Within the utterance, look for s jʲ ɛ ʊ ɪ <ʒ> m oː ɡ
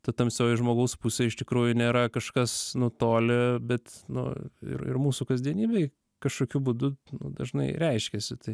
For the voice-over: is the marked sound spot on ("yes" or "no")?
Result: yes